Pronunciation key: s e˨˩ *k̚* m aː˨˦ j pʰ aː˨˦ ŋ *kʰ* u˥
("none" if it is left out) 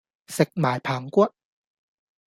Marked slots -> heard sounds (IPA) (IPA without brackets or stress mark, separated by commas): k̚, k